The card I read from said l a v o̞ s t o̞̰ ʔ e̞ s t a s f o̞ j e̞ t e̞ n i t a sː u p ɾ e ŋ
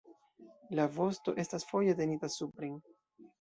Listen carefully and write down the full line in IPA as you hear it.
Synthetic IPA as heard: l a v o̞ s t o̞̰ ʔ e̞ s t a s f o̞ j e̞ t e̞ n i t a s u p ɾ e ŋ